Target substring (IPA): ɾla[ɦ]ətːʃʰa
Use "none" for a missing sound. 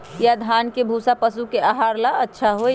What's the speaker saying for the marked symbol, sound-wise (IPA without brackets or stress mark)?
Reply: none